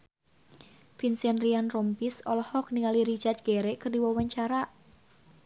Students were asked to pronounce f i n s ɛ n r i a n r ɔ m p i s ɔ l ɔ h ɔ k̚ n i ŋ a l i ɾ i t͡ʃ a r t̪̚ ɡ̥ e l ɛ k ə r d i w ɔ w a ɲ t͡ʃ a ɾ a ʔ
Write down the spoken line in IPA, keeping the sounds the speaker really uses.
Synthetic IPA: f i n s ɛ n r i a n r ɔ m p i s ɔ l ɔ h ɔ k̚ n i ŋ a l i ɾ i t͡ʃ a r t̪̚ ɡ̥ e ɾ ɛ k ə r d i w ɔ w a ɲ t͡ʃ a ɾ a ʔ